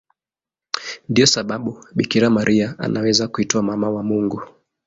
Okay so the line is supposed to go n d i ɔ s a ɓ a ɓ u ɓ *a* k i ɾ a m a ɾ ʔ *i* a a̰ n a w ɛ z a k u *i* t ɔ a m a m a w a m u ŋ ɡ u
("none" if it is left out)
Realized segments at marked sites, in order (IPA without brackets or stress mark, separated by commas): i, i, i